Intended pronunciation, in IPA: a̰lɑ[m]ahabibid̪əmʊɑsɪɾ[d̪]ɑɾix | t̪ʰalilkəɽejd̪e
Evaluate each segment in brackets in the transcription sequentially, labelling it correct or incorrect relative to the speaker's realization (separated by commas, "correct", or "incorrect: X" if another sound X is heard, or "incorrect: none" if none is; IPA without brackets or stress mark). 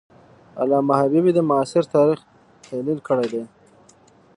correct, incorrect: t̪